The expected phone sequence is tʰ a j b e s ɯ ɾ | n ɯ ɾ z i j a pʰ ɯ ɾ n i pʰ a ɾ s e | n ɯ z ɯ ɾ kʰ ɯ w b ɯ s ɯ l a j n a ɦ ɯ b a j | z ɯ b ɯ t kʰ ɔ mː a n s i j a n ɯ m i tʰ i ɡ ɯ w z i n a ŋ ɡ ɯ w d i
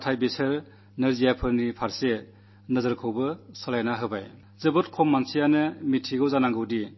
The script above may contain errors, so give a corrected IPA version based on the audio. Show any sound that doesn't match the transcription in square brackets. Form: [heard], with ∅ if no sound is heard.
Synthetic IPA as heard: tʰ a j b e s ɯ ɾ | n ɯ ɾ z i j a pʰ ɯ ɾ n i pʰ a ɾ s e | n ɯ z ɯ ɾ kʰ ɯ w b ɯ s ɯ l a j n a ɦ ɯ b a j | z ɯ b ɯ t kʰ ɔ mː a n s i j a n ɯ m i tʰ i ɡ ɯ w z [a] n a ŋ ɡ ɯ w d i